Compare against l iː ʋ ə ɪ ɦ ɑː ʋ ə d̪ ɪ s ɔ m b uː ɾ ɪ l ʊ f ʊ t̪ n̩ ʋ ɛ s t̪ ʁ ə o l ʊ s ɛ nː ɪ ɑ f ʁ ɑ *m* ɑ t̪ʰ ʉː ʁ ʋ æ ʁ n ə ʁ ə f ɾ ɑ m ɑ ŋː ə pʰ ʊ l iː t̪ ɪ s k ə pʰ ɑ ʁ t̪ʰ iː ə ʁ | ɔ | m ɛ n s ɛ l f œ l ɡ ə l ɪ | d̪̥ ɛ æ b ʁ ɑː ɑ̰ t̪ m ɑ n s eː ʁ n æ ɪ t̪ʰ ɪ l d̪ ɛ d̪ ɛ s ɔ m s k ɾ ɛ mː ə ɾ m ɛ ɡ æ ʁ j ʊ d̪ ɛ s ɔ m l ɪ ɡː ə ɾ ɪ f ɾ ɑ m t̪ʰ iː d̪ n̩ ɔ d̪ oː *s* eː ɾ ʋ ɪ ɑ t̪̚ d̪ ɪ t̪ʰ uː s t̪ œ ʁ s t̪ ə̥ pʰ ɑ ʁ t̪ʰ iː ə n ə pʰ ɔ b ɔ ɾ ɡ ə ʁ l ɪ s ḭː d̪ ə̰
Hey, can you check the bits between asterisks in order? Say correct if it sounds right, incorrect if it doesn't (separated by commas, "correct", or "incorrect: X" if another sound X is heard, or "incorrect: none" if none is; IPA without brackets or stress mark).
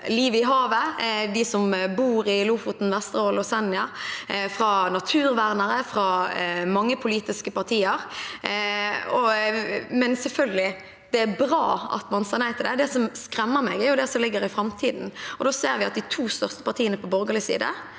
incorrect: n, correct